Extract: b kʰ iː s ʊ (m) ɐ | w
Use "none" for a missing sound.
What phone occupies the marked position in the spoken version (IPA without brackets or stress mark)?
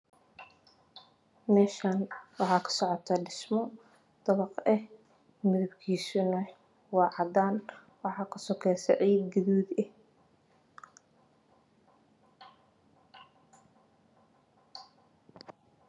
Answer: n